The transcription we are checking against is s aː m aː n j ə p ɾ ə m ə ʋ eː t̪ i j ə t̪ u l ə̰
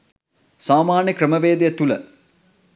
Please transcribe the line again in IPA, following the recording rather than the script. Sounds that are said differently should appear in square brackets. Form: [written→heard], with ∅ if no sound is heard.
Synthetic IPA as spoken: s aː m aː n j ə [p→k] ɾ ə m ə ʋ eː [t̪→d̪] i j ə t̪ u l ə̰